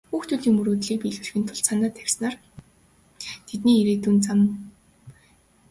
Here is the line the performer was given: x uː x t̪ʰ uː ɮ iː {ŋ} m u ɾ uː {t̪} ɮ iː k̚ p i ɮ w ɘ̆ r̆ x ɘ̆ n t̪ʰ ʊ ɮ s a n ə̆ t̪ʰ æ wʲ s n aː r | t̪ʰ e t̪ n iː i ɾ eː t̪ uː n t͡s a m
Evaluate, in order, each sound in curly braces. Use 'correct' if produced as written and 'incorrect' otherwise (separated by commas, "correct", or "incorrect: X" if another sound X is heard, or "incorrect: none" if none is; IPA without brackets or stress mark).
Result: correct, correct